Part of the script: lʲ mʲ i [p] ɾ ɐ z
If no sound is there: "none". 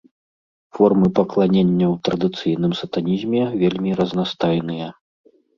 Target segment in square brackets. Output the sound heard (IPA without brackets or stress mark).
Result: none